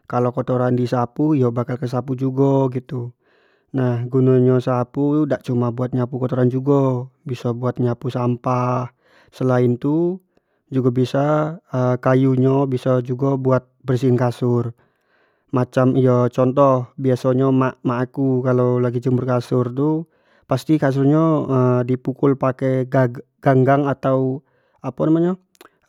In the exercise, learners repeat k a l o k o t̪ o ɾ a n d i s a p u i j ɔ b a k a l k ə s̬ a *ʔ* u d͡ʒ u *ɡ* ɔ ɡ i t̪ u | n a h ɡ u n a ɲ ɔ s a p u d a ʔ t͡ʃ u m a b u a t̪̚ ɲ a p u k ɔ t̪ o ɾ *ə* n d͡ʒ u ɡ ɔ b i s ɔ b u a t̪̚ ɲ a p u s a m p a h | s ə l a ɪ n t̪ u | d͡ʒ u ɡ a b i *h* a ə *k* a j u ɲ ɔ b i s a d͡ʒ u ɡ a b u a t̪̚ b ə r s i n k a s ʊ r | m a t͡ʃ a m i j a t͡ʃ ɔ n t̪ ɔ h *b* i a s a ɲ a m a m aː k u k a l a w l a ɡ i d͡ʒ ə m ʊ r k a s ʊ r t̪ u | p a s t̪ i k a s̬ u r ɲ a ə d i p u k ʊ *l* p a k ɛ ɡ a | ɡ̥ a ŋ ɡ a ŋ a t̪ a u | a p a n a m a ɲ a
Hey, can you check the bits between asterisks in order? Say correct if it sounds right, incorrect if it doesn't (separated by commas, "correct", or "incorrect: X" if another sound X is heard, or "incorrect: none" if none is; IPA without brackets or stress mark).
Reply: incorrect: p, correct, incorrect: a, incorrect: s, correct, correct, correct